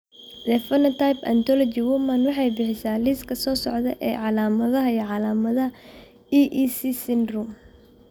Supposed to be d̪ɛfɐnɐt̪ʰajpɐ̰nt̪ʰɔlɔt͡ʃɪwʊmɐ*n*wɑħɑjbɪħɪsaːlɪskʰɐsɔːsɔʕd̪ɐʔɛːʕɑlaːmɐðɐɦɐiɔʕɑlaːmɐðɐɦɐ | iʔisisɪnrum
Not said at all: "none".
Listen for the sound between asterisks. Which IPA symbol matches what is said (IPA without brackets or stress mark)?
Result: n